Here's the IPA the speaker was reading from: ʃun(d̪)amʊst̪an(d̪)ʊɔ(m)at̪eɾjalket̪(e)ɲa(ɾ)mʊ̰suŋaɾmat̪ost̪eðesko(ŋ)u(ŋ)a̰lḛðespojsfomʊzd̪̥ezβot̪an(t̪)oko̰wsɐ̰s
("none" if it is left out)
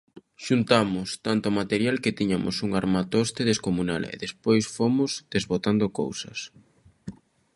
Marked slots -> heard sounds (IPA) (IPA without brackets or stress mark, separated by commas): t̪, t̪, m, i, none, m, n, d̪